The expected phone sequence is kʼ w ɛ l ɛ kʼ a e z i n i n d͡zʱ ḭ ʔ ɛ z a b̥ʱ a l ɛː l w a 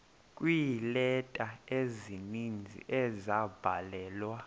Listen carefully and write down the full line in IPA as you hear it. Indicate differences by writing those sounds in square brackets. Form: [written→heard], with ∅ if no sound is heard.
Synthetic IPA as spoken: kʼ w [ɛ→i] l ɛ [kʼ→tʼ] a e z i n i n d͡zʱ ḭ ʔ ɛ z a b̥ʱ a l ɛː l w a